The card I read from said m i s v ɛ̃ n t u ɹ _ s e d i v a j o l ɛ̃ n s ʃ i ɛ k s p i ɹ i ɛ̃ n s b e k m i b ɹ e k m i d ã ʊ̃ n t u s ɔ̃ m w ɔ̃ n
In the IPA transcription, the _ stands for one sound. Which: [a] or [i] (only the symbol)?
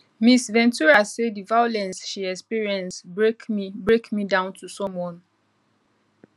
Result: a